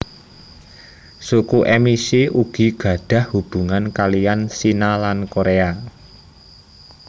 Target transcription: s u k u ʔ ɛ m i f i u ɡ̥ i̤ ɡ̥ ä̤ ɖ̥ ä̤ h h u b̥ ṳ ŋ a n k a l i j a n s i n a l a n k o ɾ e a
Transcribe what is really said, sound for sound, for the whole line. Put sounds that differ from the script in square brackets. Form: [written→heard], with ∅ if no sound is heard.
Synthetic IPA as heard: s u k u ʔ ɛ m i [f→s] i u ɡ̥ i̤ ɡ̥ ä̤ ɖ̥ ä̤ h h u b̥ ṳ ŋ a n k a l i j a n s i n a l a n k o ɾ e a